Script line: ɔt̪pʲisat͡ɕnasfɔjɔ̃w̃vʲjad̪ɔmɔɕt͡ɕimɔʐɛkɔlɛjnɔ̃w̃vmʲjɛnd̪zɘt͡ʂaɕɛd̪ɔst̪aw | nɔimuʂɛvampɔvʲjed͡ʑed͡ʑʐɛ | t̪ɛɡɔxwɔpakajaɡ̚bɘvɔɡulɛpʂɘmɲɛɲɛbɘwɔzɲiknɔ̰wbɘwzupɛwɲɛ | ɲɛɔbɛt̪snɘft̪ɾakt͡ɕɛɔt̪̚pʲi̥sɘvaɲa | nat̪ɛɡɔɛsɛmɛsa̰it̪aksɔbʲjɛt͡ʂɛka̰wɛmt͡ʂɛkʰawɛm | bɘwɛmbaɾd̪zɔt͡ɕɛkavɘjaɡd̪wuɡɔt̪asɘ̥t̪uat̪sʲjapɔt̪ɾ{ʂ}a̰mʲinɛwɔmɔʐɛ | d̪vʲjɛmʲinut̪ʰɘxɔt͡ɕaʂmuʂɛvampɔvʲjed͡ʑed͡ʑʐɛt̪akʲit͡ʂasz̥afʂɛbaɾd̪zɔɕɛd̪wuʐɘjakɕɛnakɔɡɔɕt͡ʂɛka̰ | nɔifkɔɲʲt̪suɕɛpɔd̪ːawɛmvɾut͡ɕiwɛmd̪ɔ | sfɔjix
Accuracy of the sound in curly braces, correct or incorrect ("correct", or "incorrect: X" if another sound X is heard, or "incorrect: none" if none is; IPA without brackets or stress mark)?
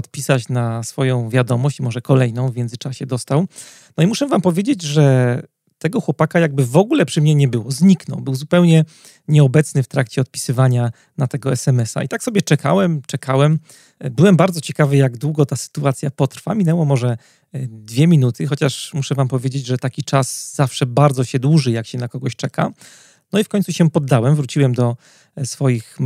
incorrect: f